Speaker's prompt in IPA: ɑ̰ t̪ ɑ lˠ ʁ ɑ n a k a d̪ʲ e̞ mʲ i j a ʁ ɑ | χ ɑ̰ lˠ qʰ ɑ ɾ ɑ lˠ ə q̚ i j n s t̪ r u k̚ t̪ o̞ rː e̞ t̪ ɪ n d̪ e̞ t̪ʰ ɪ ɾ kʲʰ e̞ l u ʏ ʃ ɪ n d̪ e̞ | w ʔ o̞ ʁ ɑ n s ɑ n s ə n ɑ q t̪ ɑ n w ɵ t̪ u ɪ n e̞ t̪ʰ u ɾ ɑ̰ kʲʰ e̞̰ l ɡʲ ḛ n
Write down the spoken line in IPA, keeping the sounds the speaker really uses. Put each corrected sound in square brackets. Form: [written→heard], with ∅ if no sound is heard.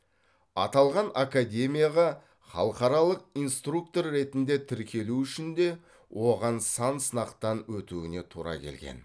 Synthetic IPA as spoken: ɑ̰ t̪ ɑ lˠ ʁ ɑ n a k a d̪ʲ e̞ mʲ i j a ʁ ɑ | χ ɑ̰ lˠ [qʰ→q] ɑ ɾ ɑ lˠ ə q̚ i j n s t̪ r u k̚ t̪ o̞ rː e̞ t̪ ɪ n d̪ e̞ t̪ʰ ɪ ɾ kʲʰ e̞ l u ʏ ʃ ɪ n d̪ e̞ | w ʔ o̞ ʁ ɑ n s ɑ n s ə n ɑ q t̪ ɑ n w ɵ t̪ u ɪ n e̞ t̪ʰ u ɾ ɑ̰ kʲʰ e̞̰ l ɡʲ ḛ n